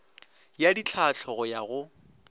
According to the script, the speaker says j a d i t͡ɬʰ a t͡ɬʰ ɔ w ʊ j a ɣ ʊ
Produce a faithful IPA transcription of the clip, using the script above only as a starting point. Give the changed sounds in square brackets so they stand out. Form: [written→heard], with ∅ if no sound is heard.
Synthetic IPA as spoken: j a d i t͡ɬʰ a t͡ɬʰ ɔ [w→ɣ] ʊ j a ɣ ʊ